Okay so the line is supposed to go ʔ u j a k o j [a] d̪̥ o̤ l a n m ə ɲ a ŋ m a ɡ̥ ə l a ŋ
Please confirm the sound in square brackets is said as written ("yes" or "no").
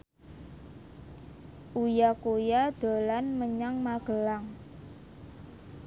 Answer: yes